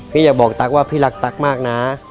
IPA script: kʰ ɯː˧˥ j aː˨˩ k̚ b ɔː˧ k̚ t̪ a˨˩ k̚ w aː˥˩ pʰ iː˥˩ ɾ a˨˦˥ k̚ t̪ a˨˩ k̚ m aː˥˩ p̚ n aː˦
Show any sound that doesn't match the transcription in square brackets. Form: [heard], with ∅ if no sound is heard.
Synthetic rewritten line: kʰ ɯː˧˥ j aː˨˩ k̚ b [ɔː˨˩] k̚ t̪ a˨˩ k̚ w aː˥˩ pʰ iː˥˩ [l] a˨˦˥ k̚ t̪ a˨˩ k̚ m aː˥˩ [k̚] n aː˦

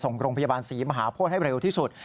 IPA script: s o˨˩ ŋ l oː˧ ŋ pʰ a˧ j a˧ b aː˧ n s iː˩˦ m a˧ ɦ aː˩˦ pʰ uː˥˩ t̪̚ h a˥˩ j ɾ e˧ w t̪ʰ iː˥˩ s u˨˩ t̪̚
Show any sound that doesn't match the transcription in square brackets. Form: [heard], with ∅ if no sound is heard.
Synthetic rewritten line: s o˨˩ ŋ [ɾ] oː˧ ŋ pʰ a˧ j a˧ b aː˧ n s iː˩˦ m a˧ ɦ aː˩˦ pʰ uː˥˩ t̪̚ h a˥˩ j ɾ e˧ w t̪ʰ iː˥˩ s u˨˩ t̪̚

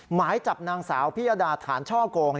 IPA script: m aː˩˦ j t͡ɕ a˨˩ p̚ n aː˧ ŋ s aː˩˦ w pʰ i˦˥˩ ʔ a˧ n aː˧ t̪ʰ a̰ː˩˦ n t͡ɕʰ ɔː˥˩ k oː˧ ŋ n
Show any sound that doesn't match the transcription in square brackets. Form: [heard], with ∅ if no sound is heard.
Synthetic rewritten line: m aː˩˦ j t͡ɕ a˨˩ p̚ n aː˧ ŋ s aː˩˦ w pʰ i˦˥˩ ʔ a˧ [d] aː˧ t̪ʰ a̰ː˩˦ n t͡ɕʰ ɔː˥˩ k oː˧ ŋ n

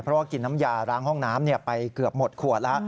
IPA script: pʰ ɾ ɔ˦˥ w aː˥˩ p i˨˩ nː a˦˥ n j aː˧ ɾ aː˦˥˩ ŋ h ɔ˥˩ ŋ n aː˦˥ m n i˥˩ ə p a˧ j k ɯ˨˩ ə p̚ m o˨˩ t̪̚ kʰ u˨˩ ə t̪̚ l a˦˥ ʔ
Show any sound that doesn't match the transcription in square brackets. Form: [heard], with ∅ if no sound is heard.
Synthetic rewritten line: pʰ ɾ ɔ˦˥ w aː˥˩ [k] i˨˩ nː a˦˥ [m] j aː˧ ɾ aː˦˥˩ ŋ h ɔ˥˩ ŋ n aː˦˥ m n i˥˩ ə p a˧ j k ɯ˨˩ ə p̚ m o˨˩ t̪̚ kʰ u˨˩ ə t̪̚ l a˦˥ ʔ

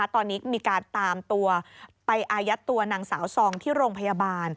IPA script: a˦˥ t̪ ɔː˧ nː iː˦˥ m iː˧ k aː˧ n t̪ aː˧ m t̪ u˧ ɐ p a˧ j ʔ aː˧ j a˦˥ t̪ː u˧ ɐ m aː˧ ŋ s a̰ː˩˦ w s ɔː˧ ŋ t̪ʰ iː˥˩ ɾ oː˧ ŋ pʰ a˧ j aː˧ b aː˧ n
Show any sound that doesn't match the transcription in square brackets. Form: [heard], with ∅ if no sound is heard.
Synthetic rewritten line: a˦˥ t̪ ɔː˧ nː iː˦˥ m iː˧ k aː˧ n t̪ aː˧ m t̪ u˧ ɐ p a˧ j ʔ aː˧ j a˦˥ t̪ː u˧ ɐ [n] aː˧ ŋ s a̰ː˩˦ w s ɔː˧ ŋ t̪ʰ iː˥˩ ɾ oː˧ ŋ pʰ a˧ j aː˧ b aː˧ n

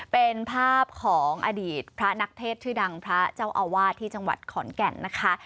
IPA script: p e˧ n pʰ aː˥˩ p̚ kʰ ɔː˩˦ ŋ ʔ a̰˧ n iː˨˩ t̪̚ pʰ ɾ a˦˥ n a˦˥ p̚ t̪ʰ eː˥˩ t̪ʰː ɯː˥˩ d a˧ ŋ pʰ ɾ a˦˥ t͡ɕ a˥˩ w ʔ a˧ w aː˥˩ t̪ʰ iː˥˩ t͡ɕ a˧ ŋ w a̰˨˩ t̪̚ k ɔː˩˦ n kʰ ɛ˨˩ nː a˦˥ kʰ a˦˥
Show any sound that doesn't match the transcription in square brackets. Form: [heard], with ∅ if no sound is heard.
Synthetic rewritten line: p e˧ n pʰ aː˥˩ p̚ kʰ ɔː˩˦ ŋ ʔ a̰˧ [d] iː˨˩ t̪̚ pʰ ɾ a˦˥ n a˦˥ [k̚] t̪ʰ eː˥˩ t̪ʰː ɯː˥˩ d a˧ ŋ pʰ ɾ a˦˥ t͡ɕ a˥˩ w ʔ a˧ w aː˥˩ t̪ʰ iː˥˩ t͡ɕ a˧ ŋ w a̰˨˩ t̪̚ [kʰ] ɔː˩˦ n [k] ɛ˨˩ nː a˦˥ kʰ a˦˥

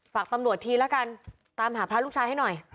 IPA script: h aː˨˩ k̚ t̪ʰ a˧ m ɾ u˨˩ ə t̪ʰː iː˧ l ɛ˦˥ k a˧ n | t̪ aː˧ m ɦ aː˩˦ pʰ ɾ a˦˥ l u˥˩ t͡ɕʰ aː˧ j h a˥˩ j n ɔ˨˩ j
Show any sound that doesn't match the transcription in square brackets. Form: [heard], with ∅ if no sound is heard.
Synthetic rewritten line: [f] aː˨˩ k̚ [t̪] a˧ m ɾ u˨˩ ə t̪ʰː iː˧ l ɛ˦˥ k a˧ n | t̪ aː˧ m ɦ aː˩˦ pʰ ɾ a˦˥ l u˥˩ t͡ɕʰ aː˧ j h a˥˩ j n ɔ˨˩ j

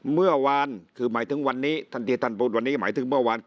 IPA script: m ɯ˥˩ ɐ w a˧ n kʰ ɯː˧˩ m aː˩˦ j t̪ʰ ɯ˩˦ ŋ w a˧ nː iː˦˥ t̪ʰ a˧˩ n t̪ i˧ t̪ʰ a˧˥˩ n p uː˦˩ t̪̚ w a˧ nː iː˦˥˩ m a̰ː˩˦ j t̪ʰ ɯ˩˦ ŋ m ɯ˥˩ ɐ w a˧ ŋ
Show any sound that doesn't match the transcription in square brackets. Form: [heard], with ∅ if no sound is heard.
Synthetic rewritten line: m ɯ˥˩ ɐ w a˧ n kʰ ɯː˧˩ m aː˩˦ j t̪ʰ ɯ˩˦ ŋ w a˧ nː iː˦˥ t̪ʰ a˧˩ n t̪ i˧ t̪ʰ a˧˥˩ n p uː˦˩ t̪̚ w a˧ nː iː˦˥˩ m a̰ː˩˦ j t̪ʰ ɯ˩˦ ŋ m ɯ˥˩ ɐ w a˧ [n]

